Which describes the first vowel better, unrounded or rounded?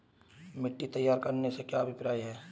unrounded